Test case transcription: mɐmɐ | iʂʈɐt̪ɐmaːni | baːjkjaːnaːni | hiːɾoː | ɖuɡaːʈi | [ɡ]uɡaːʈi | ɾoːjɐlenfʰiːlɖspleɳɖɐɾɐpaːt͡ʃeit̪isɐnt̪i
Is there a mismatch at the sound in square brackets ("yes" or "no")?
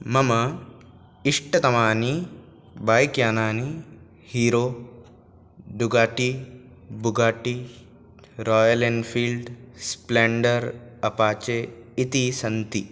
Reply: yes